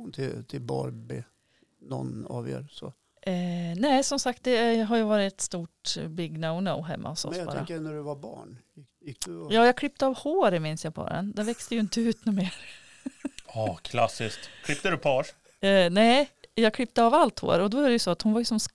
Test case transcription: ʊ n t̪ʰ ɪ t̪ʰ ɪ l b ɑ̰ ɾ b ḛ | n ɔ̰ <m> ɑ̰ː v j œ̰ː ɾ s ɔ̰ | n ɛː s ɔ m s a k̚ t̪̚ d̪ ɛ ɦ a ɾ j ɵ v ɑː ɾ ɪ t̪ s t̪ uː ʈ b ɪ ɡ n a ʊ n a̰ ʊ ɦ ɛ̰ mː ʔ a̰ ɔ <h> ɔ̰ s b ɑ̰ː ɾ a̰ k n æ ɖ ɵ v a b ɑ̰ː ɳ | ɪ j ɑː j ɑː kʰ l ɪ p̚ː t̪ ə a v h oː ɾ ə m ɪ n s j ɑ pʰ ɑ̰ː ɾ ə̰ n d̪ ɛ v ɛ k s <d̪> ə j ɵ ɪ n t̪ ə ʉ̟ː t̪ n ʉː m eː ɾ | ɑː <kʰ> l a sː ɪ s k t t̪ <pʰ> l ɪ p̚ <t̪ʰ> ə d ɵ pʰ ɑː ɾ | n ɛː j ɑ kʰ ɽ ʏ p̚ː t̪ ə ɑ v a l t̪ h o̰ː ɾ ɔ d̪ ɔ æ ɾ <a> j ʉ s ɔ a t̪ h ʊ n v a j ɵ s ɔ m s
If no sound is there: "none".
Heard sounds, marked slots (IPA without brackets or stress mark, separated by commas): n, s, t̪, kʰ, kʰ, t̪, ɛ